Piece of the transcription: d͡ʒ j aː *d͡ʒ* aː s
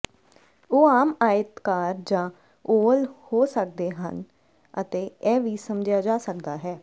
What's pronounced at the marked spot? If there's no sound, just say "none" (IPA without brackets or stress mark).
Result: d͡ʒ